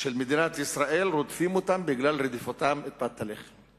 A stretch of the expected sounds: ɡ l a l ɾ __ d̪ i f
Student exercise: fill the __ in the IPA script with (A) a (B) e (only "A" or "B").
B